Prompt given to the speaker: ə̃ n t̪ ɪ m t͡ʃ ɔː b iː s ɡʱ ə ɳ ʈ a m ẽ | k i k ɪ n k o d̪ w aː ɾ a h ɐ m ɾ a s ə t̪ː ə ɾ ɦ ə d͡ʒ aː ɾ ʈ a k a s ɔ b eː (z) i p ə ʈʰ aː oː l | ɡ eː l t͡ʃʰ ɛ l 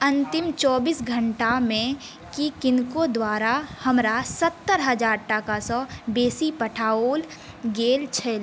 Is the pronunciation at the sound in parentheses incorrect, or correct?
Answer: incorrect